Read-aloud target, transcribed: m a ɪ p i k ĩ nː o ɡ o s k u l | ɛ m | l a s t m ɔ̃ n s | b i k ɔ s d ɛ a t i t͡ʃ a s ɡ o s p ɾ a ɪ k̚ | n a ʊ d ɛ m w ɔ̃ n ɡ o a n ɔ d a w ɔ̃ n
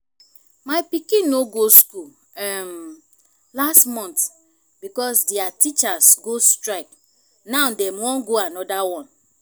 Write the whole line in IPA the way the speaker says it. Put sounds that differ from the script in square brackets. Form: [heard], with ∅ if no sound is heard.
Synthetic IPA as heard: m a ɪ p i k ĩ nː o ɡ o s k u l | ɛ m | l a s t m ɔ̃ n [t] | b i k ɔ s d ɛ a t i t͡ʃ a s ɡ o s [t] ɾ a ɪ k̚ | n a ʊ d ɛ m w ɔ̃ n ɡ o a n ɔ d a w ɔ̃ n